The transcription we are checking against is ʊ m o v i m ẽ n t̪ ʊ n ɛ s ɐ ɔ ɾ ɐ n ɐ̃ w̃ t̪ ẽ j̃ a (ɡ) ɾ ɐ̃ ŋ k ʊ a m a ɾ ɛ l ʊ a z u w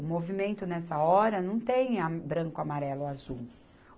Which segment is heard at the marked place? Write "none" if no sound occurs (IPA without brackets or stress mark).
b